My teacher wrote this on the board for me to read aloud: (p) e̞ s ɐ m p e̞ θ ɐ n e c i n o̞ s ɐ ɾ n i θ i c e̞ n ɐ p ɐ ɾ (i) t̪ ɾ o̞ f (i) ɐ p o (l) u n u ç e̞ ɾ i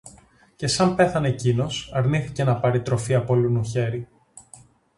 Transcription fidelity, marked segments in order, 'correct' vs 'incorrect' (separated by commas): incorrect, correct, correct, correct